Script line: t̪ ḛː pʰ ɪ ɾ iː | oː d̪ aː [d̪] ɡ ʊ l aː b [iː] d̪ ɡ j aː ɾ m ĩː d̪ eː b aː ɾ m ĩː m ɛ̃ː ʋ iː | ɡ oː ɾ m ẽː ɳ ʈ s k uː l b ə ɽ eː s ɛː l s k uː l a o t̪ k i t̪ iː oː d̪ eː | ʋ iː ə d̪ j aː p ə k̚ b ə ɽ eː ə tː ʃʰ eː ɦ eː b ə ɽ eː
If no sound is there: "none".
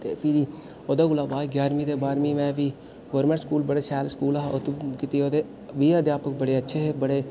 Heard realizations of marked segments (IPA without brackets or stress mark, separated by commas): none, aː